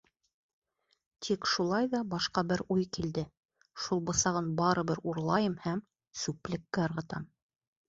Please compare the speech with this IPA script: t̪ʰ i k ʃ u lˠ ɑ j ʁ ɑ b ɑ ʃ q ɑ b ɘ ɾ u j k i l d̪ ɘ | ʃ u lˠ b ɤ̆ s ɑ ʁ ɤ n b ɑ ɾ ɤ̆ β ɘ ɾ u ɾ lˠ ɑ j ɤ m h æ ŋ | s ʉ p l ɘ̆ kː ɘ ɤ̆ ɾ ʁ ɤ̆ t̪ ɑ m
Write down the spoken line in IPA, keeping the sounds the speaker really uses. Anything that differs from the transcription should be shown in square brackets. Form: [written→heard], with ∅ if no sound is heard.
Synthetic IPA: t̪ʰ i k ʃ u lˠ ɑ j [ʁ→ð] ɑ b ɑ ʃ q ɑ b ɘ ɾ u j k i l d̪ ɘ | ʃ u lˠ b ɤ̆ s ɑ ʁ ɤ n b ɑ ɾ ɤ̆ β ɘ ɾ u ɾ lˠ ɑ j ɤ m h æ [ŋ→m] | s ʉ p l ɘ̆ kː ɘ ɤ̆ ɾ ʁ ɤ̆ t̪ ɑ m